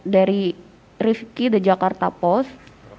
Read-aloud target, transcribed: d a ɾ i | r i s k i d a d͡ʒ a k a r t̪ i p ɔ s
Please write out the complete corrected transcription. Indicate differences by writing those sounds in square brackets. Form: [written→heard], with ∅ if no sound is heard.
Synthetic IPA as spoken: d a ɾ i | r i [s→f] k i d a d͡ʒ a k a r t̪ [i→a] p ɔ s